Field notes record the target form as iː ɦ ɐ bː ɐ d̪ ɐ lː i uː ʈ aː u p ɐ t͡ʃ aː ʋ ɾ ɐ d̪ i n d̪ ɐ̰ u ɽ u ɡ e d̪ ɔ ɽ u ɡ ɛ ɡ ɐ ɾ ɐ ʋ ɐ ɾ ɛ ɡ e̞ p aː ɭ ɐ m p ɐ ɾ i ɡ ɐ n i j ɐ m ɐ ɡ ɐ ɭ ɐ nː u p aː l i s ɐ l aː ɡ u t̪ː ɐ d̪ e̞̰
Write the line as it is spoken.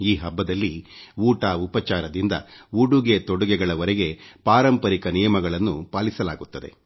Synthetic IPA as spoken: iː ɦ ɐ bː ɐ d̪ ɐ lː i uː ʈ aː u p ɐ t͡ʃ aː ɾ ɐ d̪ i n d̪ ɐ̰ u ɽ u ɡ e t̪ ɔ ɽ u ɡ ɛ ɡ ɐ ɭ ɐ ʋ ɐ ɾ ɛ ɡ e̞ p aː ɾ ɐ m p ɐ ɾ i k ɐ n i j ɐ m ɐ ɡ ɐ ɭ ɐ nː u p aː l i s ɐ l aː ɡ u t̪ː ɐ d̪ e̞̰